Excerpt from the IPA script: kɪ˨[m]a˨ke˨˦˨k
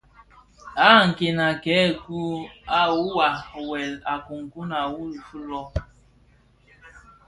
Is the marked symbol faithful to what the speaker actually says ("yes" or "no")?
no